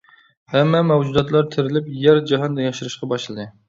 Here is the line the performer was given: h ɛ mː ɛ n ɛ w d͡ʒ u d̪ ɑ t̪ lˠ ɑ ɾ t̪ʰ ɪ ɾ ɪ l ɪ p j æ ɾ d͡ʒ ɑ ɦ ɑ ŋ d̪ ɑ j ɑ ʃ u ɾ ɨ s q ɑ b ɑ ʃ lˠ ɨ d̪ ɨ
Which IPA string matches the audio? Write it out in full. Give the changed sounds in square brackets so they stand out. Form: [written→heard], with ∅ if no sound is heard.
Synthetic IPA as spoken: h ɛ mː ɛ [n→m] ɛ w d͡ʒ u d̪ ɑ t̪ lˠ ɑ ɾ t̪ʰ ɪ ɾ ɪ l ɪ p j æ ɾ d͡ʒ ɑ ɦ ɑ [ŋ→n] d̪ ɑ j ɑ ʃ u ɾ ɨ [s→ʃ] q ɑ b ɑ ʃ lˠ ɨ d̪ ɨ